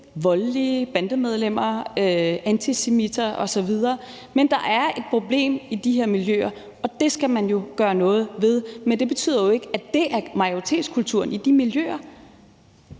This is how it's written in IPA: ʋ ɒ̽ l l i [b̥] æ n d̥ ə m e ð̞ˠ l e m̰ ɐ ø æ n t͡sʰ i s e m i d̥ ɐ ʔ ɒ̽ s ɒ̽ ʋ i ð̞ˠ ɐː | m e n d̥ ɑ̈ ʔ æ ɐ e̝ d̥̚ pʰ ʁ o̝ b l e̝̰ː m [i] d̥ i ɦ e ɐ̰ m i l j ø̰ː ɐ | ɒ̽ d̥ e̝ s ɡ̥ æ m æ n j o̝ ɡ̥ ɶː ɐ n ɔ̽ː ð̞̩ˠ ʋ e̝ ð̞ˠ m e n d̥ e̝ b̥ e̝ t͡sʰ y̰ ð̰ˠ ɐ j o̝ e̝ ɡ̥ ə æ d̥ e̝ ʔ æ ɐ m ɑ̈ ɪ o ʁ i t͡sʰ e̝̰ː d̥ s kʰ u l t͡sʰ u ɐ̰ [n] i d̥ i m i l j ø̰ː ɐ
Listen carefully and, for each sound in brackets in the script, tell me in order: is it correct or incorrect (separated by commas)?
correct, correct, correct